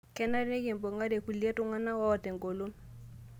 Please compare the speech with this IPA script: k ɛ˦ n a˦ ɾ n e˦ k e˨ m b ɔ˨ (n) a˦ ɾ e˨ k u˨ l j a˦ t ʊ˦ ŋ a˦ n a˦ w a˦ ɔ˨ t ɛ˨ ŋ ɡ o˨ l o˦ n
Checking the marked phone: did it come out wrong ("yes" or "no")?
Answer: yes